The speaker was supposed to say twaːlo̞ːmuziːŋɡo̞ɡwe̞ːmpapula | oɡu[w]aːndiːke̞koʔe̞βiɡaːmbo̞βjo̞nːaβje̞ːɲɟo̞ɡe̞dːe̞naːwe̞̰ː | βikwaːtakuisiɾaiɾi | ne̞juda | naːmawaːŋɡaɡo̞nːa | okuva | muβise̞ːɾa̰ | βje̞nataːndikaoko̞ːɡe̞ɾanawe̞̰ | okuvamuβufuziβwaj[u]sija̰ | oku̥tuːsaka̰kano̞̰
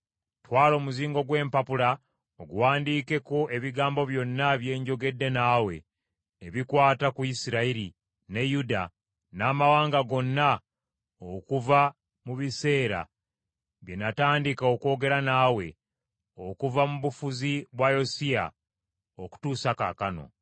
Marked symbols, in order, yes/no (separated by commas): yes, no